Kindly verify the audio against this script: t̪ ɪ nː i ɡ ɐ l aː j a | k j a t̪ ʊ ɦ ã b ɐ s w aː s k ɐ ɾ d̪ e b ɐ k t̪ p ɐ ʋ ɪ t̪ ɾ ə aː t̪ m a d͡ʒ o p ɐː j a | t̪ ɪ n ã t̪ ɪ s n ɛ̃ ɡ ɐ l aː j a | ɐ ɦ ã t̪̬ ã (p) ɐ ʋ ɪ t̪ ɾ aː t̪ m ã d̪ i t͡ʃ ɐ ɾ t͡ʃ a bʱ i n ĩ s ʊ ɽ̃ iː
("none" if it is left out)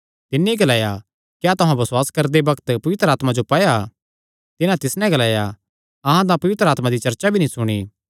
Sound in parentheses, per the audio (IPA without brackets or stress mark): p